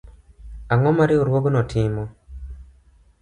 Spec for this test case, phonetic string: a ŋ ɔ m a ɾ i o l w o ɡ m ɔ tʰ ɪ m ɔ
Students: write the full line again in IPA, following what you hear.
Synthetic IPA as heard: a ŋ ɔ m a ɾ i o ɾ w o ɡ n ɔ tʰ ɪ m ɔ